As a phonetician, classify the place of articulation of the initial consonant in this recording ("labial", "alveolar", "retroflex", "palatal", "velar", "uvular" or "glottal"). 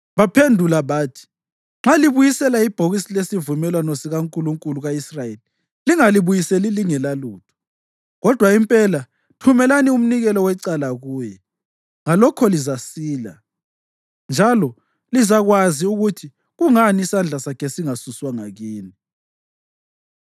labial